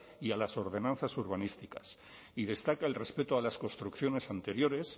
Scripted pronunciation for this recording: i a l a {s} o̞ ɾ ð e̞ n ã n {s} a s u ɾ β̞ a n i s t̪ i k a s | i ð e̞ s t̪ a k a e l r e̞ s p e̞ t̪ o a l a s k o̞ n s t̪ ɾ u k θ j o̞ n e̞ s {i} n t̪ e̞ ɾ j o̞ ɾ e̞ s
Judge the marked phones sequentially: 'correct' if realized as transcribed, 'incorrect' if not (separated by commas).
correct, incorrect, incorrect